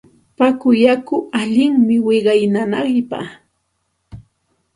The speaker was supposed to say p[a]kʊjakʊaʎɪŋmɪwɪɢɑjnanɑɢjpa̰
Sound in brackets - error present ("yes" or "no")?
no